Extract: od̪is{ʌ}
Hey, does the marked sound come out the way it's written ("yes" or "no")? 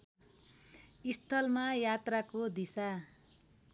no